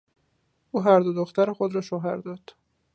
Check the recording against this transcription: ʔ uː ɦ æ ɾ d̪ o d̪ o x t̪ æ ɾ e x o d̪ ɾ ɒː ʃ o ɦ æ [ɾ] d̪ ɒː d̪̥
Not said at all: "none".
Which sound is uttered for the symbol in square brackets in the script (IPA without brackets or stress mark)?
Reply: ɾ